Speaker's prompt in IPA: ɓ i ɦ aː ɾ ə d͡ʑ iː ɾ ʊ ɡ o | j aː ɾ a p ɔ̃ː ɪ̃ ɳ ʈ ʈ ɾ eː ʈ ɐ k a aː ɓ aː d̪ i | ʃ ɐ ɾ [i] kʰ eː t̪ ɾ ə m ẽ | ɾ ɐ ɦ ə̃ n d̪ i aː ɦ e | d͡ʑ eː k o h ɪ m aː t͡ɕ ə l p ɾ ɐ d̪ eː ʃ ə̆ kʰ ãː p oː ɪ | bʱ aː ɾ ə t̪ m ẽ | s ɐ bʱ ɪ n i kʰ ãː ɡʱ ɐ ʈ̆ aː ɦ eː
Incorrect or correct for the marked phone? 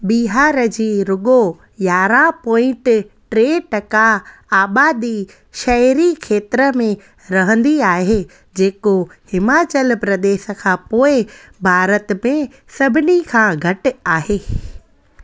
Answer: correct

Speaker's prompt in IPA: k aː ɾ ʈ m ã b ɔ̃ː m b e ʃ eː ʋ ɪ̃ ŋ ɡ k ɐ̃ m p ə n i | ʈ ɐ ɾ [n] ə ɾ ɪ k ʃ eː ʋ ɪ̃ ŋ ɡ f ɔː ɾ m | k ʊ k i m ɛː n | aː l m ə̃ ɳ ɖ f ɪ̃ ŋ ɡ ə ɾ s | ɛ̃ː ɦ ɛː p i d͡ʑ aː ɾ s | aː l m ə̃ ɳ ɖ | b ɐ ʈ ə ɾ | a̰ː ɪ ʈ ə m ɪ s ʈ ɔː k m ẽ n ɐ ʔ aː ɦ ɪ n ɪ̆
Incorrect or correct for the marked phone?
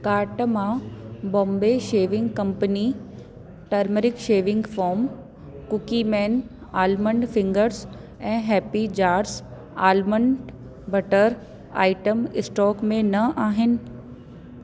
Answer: incorrect: m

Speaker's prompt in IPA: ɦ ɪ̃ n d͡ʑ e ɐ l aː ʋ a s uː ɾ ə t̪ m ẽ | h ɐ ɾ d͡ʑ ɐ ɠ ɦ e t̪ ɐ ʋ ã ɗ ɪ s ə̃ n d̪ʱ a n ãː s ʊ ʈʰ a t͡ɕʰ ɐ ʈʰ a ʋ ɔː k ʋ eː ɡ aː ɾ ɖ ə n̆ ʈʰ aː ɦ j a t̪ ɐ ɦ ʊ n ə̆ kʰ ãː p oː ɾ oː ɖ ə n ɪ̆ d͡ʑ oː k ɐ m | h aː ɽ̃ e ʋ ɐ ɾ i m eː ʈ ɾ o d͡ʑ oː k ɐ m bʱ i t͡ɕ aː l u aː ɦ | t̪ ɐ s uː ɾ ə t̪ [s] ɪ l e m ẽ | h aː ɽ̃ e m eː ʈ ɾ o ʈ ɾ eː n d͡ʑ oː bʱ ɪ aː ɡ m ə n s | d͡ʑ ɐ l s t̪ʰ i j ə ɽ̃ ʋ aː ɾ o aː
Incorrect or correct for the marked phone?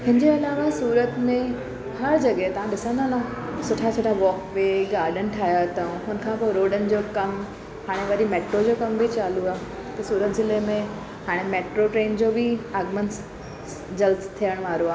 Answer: incorrect: z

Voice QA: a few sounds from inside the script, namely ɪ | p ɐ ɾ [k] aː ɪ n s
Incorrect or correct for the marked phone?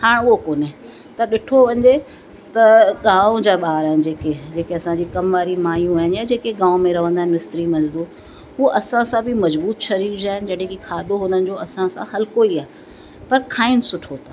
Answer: incorrect: kʰ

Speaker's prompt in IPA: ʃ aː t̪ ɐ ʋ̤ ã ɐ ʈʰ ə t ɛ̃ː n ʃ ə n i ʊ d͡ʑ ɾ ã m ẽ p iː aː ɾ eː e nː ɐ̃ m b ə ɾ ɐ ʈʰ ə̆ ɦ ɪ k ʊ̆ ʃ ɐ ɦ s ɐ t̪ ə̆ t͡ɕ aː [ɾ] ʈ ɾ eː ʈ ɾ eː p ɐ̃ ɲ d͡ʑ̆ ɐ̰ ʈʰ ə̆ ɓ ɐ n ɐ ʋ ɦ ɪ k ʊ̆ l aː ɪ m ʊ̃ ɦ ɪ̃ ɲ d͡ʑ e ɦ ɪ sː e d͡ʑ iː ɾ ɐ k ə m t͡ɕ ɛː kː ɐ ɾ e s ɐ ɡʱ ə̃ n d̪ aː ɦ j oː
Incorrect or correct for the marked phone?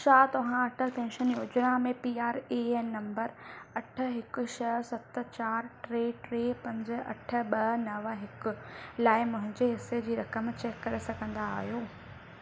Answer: correct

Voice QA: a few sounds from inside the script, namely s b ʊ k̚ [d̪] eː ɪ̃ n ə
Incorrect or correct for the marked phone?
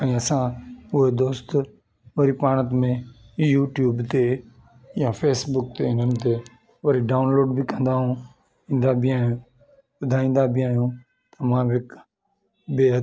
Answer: incorrect: t̪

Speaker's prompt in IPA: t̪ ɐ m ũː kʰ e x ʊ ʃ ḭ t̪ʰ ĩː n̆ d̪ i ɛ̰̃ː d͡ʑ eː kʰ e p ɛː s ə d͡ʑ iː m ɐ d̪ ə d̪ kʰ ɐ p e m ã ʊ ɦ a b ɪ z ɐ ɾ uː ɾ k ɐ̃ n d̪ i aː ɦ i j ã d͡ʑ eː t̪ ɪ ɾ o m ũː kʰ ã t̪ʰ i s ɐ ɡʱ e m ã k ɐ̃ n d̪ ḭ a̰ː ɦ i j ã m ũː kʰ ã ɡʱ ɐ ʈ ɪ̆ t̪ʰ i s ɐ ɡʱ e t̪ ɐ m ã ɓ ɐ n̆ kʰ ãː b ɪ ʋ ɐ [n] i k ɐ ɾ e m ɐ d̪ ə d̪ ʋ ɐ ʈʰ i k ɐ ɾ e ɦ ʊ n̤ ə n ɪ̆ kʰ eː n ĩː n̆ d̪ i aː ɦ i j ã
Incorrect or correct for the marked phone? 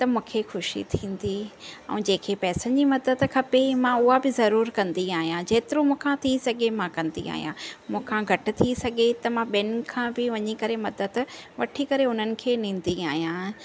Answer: incorrect: ɲ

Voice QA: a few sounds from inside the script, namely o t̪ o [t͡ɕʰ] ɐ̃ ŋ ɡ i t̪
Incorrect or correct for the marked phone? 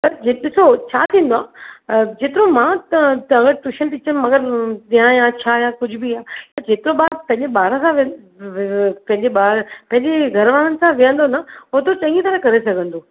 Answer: incorrect: t͡ɕ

